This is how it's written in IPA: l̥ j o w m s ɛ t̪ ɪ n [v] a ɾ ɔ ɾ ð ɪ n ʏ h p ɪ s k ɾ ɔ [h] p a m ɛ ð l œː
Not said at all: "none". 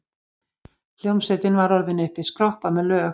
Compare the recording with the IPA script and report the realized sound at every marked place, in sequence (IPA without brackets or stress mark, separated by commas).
v, h